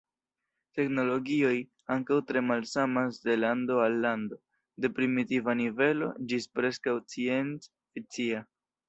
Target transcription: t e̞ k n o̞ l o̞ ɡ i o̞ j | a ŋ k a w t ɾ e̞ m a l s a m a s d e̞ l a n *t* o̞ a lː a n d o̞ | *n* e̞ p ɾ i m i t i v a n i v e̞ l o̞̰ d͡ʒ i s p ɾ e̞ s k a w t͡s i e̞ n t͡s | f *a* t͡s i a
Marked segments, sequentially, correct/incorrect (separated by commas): incorrect, incorrect, incorrect